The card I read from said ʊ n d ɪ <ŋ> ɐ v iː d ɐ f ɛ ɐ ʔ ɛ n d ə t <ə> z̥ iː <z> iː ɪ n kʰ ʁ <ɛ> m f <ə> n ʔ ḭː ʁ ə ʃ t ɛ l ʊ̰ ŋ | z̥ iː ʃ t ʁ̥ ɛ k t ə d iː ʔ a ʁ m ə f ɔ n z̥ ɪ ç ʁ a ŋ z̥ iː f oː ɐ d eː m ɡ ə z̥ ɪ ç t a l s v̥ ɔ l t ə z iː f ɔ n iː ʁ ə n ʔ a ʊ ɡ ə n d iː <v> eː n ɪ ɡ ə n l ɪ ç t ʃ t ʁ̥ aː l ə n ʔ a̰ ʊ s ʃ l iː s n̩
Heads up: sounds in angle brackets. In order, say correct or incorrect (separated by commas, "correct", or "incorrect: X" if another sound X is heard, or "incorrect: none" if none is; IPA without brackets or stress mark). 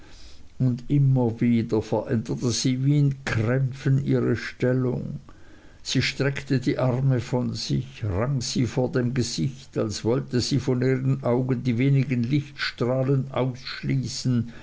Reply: incorrect: m, correct, incorrect: v, correct, correct, correct